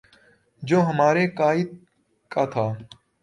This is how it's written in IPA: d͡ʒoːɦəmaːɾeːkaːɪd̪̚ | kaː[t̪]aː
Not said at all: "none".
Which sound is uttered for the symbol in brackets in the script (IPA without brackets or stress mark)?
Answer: t̪ʰ